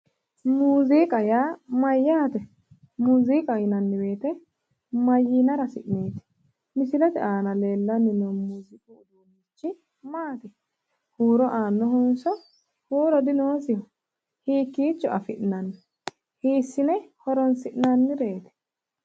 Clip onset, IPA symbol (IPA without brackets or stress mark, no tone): m